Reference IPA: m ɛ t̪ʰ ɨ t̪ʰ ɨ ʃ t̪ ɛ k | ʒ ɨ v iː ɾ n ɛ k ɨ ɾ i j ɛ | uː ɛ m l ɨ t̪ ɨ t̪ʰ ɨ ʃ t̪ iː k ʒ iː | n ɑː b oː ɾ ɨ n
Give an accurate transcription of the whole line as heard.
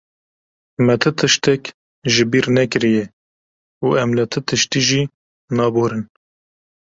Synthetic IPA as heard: m ɛ t̪ʰ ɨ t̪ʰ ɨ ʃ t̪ ɛ k | ʒ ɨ b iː ɾ n ɛ k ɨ ɾ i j ɛ | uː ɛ m l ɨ t̪ʰ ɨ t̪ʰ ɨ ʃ t̪ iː ʒ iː | n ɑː b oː ɾ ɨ n